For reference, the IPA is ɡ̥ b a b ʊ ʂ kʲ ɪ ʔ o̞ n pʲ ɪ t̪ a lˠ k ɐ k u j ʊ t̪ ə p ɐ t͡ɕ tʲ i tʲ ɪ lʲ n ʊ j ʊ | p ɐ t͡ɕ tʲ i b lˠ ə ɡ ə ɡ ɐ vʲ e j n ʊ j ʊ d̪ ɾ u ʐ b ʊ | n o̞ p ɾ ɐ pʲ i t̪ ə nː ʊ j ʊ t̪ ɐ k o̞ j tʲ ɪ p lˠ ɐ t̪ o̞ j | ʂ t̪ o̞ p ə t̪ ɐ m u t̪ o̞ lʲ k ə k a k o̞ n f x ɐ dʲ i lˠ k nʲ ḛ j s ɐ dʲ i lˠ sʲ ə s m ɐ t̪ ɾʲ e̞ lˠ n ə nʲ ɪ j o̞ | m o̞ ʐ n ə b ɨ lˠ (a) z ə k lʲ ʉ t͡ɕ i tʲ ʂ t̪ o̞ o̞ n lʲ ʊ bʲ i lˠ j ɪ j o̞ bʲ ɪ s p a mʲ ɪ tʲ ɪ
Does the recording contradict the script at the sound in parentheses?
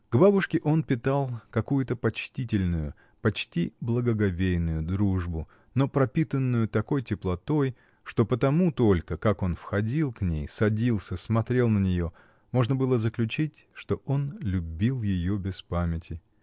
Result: yes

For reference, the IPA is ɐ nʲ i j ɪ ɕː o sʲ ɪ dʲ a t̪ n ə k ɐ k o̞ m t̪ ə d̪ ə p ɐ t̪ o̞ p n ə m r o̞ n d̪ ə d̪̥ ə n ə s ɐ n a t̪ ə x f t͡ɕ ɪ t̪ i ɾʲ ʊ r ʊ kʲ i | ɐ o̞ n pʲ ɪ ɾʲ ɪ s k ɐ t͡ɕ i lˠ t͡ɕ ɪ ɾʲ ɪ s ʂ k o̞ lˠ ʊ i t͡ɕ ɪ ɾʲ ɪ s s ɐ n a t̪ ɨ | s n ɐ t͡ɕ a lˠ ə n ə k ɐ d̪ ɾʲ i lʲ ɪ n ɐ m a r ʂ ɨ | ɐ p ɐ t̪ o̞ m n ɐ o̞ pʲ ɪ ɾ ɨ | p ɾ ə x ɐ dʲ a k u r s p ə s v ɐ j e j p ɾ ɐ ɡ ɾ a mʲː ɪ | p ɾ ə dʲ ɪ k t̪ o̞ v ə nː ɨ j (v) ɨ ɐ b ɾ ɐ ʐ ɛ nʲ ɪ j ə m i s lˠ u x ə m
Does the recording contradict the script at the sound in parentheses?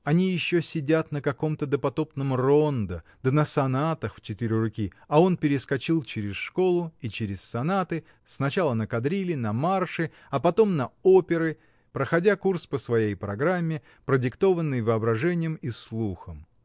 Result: no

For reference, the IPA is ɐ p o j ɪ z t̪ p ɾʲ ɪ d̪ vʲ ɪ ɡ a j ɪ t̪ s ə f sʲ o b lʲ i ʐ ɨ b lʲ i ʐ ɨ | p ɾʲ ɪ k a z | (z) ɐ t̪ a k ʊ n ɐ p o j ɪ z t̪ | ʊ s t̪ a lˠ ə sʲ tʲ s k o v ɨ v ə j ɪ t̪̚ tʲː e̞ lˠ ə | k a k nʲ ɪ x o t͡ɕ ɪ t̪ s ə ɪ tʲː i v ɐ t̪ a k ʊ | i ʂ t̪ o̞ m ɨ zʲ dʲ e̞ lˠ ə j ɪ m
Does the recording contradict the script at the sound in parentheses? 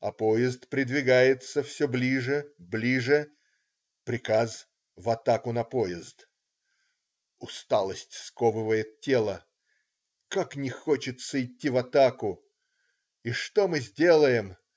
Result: yes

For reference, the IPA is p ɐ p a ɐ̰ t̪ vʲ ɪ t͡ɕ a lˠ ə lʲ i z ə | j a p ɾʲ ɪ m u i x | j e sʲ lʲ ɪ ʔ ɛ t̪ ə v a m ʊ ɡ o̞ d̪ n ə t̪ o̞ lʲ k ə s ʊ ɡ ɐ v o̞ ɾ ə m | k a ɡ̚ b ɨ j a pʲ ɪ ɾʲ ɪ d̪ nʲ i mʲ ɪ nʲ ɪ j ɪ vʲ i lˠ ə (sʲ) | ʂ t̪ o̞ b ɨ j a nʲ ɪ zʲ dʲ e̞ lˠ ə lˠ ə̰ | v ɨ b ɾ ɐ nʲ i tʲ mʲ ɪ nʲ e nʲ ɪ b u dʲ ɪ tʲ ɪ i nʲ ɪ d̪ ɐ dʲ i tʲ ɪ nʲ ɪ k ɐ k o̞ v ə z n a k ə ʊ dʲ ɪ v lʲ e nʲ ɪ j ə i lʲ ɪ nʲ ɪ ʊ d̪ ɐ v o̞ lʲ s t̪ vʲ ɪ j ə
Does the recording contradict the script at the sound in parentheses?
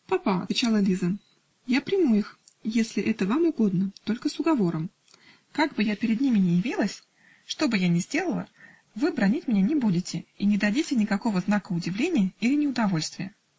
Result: no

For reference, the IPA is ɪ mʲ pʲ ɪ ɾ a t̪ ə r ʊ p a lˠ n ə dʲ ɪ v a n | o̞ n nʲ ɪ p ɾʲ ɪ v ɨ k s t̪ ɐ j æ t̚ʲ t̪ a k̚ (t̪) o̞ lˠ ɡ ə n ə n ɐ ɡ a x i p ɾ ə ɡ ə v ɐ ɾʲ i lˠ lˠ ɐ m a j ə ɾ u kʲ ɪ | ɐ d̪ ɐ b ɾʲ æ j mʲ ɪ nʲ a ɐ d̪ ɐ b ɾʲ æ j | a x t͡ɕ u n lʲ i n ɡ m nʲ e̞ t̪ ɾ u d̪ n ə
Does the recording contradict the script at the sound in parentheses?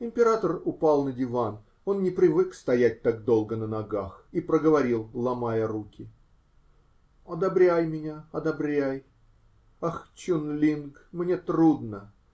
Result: yes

